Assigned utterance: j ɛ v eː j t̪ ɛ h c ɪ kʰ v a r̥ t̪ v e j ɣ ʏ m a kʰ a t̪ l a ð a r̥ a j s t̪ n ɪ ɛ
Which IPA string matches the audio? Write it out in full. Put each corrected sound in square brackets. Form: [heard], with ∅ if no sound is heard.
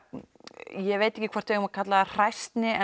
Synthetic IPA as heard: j ɛ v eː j t̪ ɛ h c ɪ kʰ v a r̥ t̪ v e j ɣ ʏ m a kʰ a t̪ l a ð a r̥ a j s t̪ n ɪ ɛ